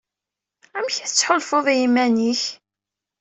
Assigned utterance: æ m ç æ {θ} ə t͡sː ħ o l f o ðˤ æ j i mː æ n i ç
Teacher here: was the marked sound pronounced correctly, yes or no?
yes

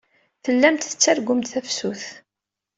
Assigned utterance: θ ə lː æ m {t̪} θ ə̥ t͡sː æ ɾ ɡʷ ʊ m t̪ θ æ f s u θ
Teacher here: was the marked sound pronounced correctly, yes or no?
yes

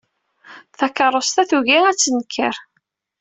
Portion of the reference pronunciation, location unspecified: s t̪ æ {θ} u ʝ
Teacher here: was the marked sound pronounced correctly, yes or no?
yes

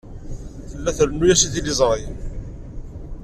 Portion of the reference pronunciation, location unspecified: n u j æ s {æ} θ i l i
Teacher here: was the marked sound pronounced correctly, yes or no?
no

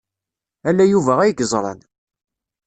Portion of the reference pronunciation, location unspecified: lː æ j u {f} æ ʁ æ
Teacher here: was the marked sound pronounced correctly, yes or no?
no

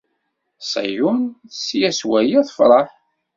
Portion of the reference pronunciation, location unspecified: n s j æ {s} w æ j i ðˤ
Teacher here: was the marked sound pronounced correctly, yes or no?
yes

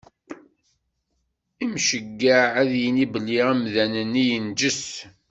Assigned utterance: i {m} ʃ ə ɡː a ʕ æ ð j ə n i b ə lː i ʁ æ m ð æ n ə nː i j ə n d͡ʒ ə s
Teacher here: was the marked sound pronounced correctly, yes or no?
yes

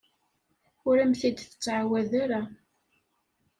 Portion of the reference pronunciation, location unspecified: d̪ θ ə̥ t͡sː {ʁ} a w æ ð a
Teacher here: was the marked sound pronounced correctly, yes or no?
no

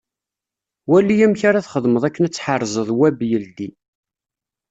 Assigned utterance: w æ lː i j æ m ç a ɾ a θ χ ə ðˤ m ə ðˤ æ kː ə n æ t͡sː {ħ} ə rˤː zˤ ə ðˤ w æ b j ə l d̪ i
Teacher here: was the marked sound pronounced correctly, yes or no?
yes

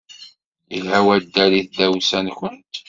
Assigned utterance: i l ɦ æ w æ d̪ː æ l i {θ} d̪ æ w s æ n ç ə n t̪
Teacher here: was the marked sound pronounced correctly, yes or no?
yes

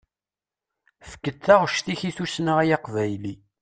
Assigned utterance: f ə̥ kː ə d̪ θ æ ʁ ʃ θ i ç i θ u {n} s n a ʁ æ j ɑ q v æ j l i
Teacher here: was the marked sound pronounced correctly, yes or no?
no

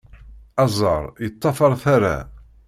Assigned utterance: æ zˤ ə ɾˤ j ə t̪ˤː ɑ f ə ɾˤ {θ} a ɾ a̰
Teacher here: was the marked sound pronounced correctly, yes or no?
yes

